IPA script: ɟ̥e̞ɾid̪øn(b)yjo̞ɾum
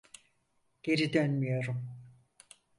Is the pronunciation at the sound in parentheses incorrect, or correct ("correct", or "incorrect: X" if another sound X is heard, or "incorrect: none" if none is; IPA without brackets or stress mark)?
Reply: incorrect: m